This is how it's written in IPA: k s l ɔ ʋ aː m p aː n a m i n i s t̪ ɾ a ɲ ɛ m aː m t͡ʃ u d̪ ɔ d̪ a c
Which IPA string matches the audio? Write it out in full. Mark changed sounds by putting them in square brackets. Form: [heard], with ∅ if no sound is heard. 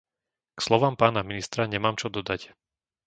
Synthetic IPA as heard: k s l ɔ ʋ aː m p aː n a m i n i s t̪ ɾ a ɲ ɛ m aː m t͡ʃ [ɔ] d̪ ɔ d̪ a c